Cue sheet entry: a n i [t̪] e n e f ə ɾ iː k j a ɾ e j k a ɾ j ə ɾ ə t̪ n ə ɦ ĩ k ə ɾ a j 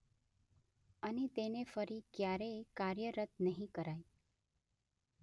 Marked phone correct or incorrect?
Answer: correct